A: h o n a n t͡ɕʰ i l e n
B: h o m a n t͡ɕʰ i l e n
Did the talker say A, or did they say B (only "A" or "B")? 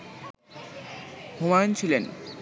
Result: B